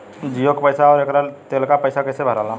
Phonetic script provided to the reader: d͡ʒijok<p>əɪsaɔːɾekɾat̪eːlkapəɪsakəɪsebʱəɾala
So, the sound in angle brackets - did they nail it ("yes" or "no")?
yes